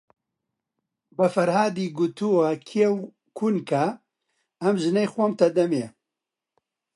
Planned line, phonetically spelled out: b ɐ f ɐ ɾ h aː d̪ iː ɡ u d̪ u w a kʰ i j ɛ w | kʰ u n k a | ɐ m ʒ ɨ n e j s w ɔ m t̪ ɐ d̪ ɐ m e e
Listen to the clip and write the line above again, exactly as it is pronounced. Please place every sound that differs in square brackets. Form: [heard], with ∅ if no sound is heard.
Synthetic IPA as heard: b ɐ f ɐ ɾ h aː d̪ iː ɡ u [t̪] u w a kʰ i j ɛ w | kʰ u n k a | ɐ m ʒ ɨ n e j [x] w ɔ m t̪ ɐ d̪ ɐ m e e